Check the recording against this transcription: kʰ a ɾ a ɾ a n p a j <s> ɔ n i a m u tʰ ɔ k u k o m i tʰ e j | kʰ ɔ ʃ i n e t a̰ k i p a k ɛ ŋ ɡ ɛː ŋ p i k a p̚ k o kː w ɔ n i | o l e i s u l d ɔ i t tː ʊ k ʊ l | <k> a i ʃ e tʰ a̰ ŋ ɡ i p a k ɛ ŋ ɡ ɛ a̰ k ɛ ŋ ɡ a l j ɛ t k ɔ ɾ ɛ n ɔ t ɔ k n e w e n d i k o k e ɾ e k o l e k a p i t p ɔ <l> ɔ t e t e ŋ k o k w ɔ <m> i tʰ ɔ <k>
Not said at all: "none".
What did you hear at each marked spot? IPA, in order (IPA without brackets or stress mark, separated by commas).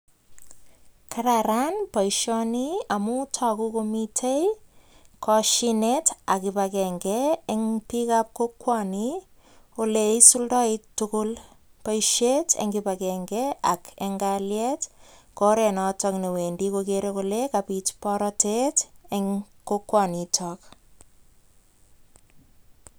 ʃ, p, ɾ, n, k